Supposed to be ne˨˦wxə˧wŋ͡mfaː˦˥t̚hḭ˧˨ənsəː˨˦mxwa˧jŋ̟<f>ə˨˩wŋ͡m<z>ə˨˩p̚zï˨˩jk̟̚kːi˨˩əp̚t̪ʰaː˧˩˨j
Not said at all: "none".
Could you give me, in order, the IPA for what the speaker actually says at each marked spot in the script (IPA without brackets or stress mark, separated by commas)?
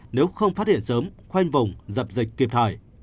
v, z